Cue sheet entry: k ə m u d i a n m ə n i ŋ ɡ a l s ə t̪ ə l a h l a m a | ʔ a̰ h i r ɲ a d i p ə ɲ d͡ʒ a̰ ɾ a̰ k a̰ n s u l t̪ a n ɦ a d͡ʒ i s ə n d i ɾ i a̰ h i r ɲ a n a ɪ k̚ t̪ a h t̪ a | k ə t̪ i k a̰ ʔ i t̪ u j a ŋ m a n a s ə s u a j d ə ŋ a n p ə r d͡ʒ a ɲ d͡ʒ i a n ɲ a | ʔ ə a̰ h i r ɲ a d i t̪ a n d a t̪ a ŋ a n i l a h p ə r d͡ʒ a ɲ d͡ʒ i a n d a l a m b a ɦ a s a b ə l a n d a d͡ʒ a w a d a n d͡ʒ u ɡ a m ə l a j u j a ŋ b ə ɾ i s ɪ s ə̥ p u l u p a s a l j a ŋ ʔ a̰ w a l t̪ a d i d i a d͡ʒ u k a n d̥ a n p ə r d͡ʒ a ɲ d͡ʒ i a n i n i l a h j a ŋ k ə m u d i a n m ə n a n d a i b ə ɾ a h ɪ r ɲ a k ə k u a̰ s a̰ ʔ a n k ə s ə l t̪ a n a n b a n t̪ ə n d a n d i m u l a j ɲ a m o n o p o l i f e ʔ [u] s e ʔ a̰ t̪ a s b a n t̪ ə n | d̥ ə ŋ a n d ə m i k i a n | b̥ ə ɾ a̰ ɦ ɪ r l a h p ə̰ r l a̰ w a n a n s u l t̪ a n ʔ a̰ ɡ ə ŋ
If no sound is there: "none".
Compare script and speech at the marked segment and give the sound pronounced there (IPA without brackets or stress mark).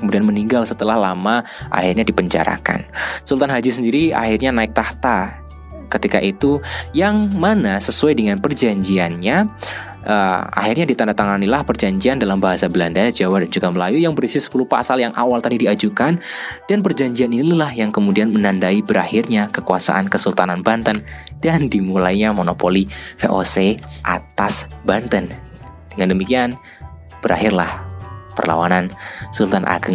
o